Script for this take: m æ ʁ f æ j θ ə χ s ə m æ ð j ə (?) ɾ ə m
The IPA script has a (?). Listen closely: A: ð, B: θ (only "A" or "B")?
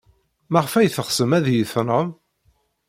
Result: B